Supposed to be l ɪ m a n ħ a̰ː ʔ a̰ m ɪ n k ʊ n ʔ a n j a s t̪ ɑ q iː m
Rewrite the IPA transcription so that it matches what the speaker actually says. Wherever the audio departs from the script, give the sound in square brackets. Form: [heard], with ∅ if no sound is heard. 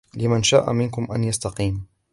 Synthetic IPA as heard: l ɪ m a n [ʃ] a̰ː ʔ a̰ m ɪ n k ʊ [m] ʔ a n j a s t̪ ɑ q iː m